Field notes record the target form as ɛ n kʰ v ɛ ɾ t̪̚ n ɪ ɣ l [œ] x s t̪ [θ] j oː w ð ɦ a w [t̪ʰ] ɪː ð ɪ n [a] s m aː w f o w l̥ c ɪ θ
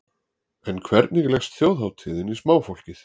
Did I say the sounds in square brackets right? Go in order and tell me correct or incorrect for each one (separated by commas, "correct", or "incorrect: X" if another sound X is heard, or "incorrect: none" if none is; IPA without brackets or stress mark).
incorrect: ɛ, correct, correct, incorrect: i